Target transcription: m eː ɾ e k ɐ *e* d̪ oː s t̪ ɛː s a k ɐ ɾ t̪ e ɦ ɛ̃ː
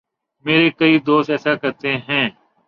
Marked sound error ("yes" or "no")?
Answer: yes